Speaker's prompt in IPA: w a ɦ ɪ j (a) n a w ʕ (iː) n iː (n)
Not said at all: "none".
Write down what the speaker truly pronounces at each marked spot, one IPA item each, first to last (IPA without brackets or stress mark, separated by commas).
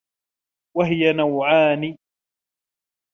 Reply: a, aː, none